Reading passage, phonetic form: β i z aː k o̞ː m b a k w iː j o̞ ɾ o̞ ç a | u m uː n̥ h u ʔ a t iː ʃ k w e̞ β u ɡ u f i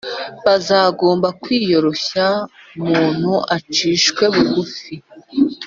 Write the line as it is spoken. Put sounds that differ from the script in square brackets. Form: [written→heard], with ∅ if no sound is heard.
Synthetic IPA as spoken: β [i→a] z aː [k→ɡ] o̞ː m b a k w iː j o̞ ɾ o̞ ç a | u m uː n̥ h u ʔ a [t→t͡ʃ] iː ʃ k w e̞ β u ɡ u f i